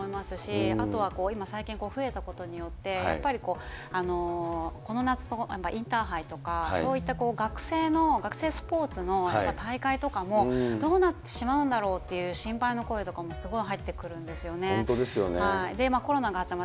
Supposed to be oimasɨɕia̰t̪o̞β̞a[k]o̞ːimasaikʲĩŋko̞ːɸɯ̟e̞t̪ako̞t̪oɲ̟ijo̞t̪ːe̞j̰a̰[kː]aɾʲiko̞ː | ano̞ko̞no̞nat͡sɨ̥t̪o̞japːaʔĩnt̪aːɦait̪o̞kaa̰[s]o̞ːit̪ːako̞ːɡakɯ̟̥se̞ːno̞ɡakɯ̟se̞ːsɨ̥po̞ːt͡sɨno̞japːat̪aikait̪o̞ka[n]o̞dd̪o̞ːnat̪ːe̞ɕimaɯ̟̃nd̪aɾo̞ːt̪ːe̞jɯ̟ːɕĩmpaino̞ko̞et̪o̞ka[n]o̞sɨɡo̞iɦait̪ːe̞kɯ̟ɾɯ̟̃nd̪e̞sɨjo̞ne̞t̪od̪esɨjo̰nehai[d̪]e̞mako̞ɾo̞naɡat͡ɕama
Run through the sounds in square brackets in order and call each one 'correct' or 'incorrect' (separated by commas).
correct, incorrect, correct, incorrect, incorrect, correct